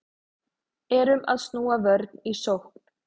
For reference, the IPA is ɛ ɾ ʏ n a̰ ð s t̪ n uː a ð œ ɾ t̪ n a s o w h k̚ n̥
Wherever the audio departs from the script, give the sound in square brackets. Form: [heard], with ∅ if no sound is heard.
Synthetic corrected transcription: ɛ ɾ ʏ [m] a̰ ð s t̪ n uː a [v] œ ɾ t̪ n [i] s o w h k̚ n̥